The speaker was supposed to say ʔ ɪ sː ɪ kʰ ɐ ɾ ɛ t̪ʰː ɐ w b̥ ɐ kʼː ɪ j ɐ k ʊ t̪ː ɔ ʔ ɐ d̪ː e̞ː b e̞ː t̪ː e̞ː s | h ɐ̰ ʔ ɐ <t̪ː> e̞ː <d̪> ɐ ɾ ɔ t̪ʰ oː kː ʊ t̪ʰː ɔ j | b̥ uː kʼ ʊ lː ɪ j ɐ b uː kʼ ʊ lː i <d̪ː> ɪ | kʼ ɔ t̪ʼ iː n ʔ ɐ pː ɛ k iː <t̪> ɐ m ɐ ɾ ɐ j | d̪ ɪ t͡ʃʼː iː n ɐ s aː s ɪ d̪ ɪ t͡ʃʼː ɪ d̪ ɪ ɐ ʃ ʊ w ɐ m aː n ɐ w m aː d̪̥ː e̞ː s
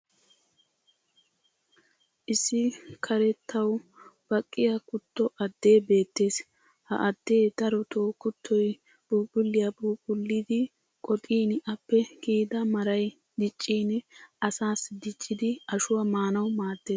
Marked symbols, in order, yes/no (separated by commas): no, yes, no, no